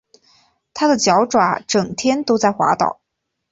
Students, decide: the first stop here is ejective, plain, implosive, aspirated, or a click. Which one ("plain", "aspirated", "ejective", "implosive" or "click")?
aspirated